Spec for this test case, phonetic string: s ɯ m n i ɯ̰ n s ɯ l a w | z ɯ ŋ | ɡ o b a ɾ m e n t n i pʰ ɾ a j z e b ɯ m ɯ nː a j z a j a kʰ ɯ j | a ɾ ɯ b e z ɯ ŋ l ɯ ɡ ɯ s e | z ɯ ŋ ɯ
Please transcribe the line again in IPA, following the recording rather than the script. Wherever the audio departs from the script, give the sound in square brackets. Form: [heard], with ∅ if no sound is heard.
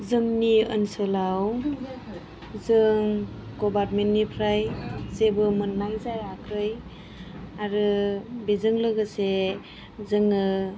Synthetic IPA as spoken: [z] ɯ m n i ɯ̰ n s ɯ l a w | z ɯ ŋ | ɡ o b a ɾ m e n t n i pʰ ɾ a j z e b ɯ m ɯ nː a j z a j a kʰ ɯ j | a ɾ ɯ b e z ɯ ŋ l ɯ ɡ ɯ s e | z ɯ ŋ ɯ

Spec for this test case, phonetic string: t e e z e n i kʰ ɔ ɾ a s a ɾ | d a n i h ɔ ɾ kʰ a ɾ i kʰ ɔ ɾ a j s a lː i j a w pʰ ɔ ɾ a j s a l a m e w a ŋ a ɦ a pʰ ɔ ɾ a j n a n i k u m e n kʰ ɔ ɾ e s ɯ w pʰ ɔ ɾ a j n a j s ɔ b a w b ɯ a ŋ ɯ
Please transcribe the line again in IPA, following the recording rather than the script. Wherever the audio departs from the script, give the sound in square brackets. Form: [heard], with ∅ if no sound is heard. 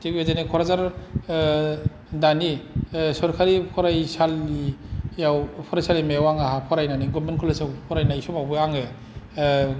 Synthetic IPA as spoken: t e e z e n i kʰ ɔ ɾ a [z] a ɾ | d a n i [s] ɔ ɾ kʰ a ɾ i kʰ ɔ ɾ a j s a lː i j a w pʰ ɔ ɾ a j s a l [i] m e w a ŋ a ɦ a pʰ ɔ ɾ a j n a n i [ɡ] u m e n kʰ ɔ [l] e s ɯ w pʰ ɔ ɾ a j n a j s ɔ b a w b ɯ a ŋ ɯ

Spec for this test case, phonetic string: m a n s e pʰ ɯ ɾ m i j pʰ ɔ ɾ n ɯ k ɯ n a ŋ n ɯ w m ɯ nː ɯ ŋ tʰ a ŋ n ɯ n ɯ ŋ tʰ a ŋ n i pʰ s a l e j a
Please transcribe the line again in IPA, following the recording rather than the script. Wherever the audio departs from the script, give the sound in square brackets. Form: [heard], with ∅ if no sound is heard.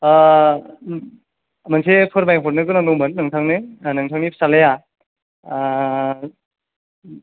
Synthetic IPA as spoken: m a n s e pʰ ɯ ɾ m [a] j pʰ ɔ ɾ n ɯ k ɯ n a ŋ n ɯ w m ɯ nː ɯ ŋ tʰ a ŋ n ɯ n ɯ ŋ tʰ a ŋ n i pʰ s a l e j a

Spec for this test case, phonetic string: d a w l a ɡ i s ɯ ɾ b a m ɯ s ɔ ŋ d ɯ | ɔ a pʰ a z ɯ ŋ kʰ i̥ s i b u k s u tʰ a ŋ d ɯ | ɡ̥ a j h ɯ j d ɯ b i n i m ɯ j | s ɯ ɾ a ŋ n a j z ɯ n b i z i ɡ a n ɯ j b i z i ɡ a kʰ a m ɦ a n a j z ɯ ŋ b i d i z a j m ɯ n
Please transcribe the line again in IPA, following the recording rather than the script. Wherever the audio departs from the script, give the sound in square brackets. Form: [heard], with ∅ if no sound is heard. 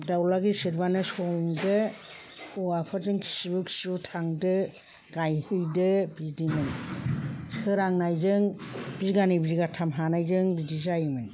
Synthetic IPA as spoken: d a w l a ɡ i s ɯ ɾ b a [n] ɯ s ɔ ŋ d ɯ | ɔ a pʰ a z ɯ ŋ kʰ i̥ s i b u k s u tʰ a ŋ d ɯ | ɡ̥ a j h ɯ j d ɯ b i [d] i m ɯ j | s ɯ ɾ a ŋ n a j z ɯ [ŋ] b i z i ɡ a n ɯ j b i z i ɡ a [tʰ] a m ɦ a n a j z ɯ ŋ b i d i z a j m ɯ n

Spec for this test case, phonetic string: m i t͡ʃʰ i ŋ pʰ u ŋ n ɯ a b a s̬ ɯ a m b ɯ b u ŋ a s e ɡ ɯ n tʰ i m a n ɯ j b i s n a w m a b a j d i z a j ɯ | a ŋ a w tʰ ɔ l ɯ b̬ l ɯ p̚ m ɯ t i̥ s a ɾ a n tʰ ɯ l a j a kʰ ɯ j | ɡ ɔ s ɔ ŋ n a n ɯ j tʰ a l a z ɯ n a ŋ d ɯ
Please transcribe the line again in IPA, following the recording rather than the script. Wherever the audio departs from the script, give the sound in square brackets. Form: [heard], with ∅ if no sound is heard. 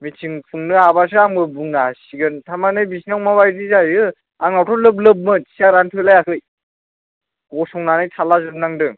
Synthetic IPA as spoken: m i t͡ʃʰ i ŋ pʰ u ŋ n ɯ a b a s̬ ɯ a [ŋ] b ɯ b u ŋ a s [i] ɡ ɯ n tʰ [a] m a n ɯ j b i s n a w m a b a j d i z a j ɯ | a ŋ a w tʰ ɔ l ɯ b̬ l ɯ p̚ m ɯ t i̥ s a ɾ a n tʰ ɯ l a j a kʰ ɯ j | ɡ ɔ s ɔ ŋ n a n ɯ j tʰ a l a z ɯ n a ŋ d ɯ

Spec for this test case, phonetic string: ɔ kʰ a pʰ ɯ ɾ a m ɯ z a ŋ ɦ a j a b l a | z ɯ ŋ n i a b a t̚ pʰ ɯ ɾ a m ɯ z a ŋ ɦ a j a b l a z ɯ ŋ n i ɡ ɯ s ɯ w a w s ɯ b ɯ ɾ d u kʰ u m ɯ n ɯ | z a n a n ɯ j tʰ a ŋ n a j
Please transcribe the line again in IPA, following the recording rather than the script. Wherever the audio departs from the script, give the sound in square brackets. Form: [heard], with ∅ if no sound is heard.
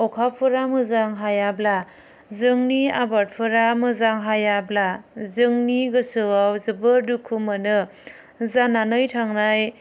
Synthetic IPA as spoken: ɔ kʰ a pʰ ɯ ɾ a m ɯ z a ŋ ɦ a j a b l a | z ɯ ŋ n i a b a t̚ pʰ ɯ ɾ a m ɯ z a ŋ ɦ a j a b l a z ɯ ŋ n i ɡ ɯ s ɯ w a w [z] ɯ b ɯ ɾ d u kʰ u m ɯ n ɯ | z a n a n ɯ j tʰ a ŋ n a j

